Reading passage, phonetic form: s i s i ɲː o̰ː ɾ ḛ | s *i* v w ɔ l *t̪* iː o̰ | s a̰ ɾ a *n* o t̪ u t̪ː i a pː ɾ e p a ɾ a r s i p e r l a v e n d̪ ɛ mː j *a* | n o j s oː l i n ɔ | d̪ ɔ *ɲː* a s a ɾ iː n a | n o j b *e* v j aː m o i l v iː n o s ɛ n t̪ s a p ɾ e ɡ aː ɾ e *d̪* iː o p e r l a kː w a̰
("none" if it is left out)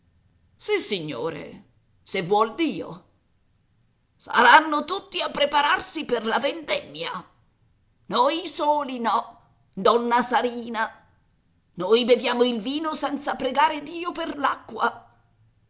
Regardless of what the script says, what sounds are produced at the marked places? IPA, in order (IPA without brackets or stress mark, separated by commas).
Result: e, d̪, nː, a, nː, e, d̪